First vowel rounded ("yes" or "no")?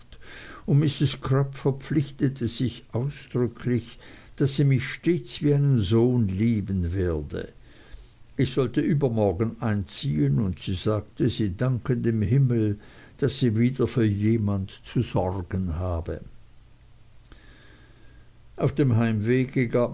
yes